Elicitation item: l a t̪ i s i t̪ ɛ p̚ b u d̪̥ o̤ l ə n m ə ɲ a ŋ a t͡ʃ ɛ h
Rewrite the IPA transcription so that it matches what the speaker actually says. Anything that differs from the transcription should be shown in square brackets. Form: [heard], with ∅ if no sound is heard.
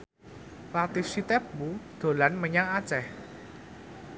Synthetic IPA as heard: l a t̪ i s i t̪ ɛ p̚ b u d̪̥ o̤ l [a] n m ə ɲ a ŋ a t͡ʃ ɛ h